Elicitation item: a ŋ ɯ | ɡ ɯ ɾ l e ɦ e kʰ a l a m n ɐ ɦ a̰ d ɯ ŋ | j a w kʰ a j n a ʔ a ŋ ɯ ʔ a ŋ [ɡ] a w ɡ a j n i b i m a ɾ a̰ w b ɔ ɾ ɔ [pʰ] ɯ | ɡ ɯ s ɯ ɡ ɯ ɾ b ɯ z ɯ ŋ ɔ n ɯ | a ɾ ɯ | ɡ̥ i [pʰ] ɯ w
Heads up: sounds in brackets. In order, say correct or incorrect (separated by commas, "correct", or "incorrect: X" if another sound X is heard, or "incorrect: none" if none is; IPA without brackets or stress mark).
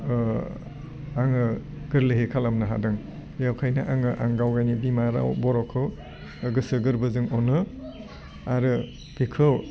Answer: correct, incorrect: kʰ, incorrect: kʰ